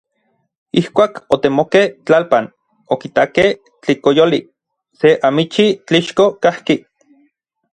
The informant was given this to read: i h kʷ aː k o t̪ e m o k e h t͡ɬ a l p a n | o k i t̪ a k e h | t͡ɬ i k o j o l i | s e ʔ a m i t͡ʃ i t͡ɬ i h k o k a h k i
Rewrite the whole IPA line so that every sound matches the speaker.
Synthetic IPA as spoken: i h kʷ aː k o t̪ e m o k e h t͡ɬ a l p a n | o k i t̪ a k e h | t͡ɬ i k o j o l i | s e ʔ a m i t͡ʃ i t͡ɬ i ʃ k o k a h k i